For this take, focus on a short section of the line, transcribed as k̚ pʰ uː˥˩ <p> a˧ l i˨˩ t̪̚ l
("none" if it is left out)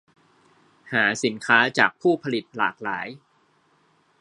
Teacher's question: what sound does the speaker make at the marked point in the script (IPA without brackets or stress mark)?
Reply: pʰ